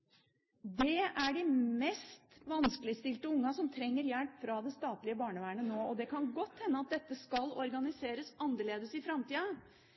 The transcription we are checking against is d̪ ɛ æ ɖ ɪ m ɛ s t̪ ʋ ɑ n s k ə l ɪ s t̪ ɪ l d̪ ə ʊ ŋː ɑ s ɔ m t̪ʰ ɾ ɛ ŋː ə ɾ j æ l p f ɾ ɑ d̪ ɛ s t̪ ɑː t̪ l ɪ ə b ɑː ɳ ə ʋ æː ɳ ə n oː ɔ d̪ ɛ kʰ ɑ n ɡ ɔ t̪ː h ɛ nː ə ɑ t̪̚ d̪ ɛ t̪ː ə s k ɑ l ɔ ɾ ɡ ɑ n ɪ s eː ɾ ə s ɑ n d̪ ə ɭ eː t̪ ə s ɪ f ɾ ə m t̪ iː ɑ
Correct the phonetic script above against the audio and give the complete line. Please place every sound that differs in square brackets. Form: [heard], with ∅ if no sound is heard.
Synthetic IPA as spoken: d̪ ɛ æ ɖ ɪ m ɛ s t̪ ʋ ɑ n s k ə l ɪ s t̪ ɪ l [t̪] ə ʊ ŋː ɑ s ɔ m t̪ʰ ɾ ɛ ŋː ə ɾ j æ l p f ɾ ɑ d̪ ɛ s t̪ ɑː t̪ l ɪ ə b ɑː ɳ ə ʋ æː ɳ ə n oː ɔ d̪ ɛ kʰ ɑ n ɡ ɔ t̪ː h ɛ nː ə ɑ t̪̚ d̪ ɛ t̪ː ə s k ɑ l ɔ ɾ ɡ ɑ n ɪ s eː ɾ ə s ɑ n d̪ ə ɭ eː [d̪] ə s ɪ f ɾ [ɑ] m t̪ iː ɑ